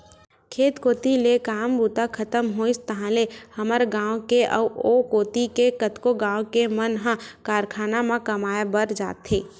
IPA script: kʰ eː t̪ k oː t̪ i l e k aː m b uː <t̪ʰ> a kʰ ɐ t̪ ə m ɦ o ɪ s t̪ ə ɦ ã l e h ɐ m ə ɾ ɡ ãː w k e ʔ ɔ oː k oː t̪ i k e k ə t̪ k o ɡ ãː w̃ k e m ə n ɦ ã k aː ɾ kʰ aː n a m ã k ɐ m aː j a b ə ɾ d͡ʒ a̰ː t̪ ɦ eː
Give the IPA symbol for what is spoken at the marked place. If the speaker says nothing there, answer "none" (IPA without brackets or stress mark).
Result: t̪